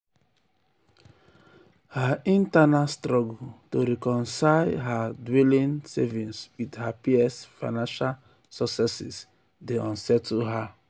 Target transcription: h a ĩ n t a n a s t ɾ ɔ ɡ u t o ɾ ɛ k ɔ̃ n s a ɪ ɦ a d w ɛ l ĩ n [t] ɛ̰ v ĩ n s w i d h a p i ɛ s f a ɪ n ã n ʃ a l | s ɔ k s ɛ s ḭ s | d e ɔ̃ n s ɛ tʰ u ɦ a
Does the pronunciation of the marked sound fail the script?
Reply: yes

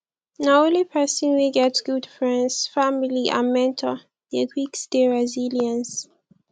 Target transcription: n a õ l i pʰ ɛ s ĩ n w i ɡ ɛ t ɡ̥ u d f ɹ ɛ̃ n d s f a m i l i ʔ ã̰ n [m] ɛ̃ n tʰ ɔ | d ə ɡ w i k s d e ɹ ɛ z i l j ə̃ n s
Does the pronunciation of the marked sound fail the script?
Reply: no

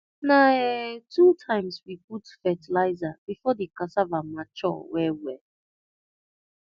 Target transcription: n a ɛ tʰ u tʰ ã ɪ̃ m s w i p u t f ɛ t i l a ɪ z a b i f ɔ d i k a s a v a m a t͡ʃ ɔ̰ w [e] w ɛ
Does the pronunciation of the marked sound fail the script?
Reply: yes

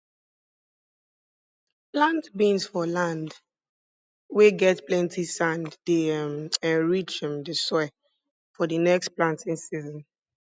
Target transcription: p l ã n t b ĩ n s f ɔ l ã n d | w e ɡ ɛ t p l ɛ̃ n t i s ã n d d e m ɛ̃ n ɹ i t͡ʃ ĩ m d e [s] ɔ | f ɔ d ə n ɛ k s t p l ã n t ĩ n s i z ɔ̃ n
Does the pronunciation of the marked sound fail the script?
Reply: no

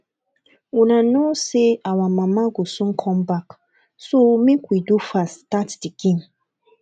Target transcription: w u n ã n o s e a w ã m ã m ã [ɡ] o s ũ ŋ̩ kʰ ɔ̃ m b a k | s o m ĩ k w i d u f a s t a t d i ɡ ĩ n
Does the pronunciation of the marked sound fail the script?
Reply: no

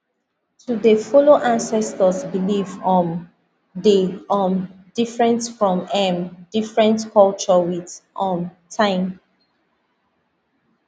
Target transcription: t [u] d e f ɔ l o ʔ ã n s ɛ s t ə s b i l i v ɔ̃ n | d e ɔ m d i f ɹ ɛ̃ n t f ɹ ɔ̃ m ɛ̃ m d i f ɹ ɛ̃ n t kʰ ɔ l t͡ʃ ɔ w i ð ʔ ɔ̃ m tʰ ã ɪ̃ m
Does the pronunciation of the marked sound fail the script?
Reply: no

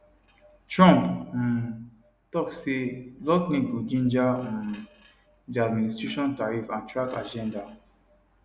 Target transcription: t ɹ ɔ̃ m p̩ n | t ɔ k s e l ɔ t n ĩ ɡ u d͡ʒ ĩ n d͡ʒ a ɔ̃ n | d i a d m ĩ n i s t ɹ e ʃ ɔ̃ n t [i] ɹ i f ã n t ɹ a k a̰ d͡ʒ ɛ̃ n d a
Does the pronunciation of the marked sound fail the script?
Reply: yes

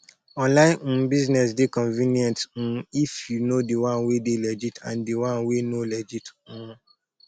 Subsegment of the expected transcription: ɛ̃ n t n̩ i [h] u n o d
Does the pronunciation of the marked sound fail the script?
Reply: yes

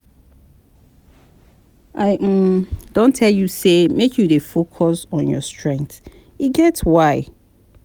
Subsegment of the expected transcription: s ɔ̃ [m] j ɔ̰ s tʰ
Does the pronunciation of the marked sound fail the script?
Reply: yes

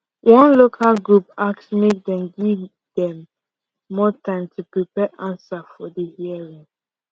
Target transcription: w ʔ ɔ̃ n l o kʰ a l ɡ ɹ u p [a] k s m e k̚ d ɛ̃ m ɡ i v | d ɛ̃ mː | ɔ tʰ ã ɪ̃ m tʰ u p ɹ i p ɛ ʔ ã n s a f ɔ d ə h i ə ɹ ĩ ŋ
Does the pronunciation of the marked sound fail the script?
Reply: no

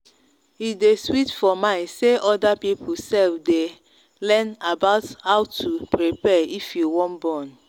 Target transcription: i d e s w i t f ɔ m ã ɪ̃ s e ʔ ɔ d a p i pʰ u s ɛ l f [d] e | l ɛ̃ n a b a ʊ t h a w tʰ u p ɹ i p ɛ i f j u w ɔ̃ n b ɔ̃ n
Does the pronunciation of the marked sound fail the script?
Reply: no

